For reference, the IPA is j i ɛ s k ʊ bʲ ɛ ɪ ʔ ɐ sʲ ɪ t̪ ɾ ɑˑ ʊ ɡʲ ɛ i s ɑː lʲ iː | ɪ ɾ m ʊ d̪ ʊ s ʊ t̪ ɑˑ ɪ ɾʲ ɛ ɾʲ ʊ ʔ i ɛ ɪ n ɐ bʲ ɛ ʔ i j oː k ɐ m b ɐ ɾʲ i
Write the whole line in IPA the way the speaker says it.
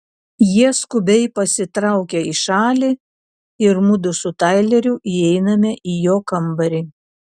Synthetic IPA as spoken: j i ɛ s k ʊ bʲ ɛ ɪ p ɐ sʲ ɪ t̪ ɾ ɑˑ ʊ kʲ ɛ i ʃ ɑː lʲ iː | ɪ ɾ m ʊ d̪ ʊ s ʊ t̪ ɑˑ ɪ lʲ ɛ ɾʲ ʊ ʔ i ɛ ɪ n ɐ mʲ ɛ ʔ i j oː k ɐ m b ɐ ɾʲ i